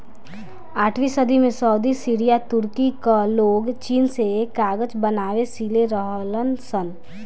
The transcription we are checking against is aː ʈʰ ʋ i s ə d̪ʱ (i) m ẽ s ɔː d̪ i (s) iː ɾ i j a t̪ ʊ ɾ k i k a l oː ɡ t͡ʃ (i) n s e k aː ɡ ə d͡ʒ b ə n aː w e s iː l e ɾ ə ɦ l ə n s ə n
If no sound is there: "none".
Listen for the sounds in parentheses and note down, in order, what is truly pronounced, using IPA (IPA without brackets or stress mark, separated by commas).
i, s, iː